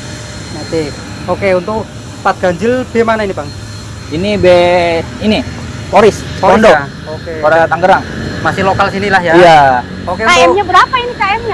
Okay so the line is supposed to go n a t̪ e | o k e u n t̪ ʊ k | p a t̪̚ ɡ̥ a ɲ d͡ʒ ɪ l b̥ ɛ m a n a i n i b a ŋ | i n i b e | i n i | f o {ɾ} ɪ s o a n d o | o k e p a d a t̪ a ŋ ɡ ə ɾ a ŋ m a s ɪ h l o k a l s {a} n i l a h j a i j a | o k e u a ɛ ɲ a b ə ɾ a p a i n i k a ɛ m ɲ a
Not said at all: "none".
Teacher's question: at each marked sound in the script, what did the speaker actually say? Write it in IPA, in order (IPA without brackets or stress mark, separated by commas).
ɾ, i